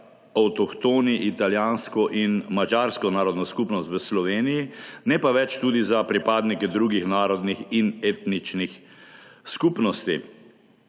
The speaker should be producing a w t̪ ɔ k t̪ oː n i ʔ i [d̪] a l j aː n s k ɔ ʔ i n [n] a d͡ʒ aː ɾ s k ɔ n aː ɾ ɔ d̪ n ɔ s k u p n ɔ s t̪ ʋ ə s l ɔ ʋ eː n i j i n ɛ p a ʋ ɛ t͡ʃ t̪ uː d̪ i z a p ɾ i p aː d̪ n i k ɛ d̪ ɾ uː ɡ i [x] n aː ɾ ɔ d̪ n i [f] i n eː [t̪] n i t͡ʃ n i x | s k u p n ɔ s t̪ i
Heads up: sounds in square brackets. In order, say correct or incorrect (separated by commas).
incorrect, incorrect, correct, incorrect, correct